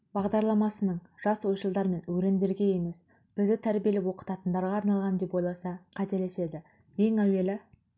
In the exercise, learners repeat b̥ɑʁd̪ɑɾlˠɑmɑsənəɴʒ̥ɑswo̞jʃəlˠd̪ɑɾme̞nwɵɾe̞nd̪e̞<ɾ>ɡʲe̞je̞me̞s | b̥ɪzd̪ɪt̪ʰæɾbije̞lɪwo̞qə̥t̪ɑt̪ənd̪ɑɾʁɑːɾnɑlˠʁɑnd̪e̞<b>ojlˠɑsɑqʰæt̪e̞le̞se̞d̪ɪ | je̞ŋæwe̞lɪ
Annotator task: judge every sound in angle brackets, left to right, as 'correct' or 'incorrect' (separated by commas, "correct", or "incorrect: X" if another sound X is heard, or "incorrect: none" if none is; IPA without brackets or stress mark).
correct, incorrect: p